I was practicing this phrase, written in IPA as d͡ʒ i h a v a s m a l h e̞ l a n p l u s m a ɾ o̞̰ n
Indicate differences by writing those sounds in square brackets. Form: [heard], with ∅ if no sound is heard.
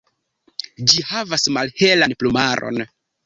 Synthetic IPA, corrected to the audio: d͡ʒ i h a v a s m a l h e̞ l a n p l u [∅] m a ɾ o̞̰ n